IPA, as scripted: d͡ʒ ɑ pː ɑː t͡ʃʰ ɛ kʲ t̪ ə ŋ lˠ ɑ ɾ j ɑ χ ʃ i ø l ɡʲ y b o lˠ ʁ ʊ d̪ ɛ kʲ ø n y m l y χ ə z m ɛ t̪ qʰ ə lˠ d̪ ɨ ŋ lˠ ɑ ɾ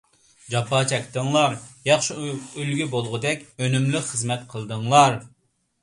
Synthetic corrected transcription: d͡ʒ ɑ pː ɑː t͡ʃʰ ɛ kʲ t̪ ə ŋ lˠ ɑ ɾ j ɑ χ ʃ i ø l ɡʲ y b o lˠ ʁ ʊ d̪ ɛ kʲ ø n y m l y χ ə z m ɛ t̪ qʰ ə lˠ d̪ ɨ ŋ lˠ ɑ ɾ